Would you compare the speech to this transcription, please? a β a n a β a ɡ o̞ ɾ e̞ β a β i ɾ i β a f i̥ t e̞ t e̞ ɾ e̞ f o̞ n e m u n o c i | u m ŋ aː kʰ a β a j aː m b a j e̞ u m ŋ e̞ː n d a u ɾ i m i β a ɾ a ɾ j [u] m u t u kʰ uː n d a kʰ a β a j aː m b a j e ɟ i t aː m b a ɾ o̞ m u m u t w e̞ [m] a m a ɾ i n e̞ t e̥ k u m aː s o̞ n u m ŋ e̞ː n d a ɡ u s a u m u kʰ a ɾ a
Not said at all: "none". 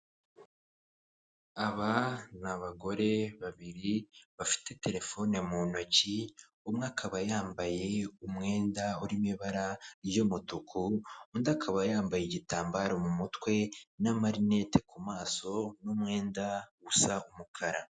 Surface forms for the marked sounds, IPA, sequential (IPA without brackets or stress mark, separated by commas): o, n